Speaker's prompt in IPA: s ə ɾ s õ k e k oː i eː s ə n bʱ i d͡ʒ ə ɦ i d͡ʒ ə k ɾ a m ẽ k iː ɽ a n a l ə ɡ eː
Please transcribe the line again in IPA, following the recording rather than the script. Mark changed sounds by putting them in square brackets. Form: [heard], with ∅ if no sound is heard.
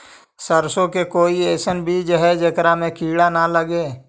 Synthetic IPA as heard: s ə ɾ s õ k e k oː i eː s ə n bʱ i d͡ʒ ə ɦ [ɛ] d͡ʒ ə k ɾ a m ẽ k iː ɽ a n a l ə ɡ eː